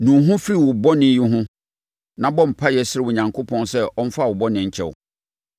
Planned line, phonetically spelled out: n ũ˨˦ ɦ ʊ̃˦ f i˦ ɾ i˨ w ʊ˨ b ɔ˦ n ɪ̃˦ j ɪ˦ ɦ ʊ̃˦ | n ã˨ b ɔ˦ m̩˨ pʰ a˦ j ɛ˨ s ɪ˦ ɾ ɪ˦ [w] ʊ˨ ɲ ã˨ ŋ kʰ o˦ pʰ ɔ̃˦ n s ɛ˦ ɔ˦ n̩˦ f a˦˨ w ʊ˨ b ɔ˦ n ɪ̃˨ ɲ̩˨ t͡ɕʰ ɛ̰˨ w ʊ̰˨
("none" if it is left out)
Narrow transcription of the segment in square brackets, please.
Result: w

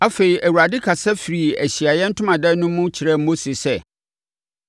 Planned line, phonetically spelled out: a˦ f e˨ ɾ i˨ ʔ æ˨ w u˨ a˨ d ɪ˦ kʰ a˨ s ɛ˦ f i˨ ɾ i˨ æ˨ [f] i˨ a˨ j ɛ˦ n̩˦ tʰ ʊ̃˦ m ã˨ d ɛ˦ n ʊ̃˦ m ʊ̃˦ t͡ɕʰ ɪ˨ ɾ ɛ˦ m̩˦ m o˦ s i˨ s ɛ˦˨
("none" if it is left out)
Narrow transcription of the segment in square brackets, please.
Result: ɕ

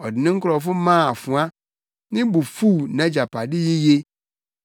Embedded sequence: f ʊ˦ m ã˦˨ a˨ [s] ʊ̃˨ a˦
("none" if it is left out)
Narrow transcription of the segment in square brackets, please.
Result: f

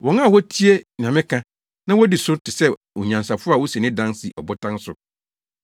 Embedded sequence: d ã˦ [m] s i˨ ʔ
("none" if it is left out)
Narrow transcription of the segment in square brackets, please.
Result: n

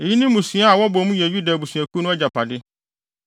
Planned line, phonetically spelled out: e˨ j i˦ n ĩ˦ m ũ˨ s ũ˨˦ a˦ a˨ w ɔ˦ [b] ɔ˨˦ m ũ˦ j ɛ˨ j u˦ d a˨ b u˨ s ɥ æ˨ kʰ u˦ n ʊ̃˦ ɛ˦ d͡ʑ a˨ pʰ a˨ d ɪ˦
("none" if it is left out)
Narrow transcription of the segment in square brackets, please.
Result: b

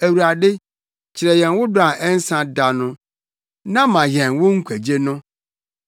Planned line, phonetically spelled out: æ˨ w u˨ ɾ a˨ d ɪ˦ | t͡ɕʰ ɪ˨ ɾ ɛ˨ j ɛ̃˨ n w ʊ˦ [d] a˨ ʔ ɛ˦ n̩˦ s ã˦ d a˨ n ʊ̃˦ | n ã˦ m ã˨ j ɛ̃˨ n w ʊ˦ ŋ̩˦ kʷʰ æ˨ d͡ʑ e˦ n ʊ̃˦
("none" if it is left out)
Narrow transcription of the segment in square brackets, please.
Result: d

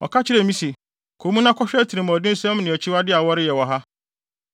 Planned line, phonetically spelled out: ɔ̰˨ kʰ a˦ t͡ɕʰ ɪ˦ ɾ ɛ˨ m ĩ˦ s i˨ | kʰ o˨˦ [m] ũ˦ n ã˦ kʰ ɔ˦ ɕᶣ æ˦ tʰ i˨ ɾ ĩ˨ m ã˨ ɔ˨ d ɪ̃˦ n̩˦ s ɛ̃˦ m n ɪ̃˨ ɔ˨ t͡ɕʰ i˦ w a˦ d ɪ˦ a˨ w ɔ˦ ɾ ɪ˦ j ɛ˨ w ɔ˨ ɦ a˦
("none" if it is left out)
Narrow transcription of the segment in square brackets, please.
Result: m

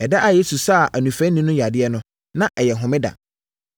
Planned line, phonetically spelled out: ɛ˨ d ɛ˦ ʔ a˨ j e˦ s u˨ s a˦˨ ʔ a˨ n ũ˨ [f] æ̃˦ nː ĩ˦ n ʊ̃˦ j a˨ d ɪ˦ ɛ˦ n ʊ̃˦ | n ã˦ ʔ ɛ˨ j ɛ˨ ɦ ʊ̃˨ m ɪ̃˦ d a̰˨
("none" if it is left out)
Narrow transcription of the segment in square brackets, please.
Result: f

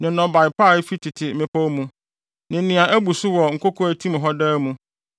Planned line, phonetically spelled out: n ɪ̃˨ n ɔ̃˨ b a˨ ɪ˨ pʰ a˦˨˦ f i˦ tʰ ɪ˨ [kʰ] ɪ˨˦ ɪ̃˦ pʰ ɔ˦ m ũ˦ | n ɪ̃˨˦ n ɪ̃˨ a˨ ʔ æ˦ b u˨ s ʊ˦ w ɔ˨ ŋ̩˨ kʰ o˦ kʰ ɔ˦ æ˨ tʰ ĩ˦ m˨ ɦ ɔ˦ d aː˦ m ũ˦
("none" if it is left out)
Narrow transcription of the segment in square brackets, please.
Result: tʰ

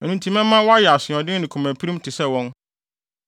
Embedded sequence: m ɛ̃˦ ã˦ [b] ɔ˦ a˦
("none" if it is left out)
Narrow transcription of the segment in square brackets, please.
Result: w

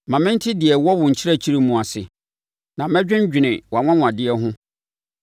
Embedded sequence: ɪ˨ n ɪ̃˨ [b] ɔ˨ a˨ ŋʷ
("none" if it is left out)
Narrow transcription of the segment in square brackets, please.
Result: w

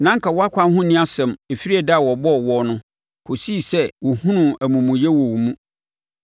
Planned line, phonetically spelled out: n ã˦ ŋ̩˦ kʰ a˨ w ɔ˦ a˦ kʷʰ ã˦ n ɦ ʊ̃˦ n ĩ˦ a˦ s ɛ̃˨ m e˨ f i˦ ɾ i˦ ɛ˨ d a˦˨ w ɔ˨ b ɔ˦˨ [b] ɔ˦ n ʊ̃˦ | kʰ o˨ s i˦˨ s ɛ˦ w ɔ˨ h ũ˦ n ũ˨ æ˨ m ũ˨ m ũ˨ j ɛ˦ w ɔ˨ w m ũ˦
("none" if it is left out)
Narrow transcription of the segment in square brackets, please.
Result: w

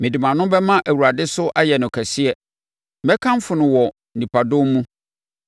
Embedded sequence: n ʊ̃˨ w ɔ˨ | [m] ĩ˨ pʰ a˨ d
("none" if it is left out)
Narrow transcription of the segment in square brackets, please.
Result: n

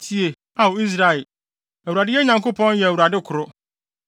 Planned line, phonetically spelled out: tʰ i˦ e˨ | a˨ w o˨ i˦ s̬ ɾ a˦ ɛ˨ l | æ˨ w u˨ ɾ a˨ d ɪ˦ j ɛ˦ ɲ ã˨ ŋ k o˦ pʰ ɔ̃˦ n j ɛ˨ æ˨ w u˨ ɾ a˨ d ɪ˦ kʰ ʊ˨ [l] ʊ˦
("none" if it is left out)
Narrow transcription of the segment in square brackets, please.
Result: ɾ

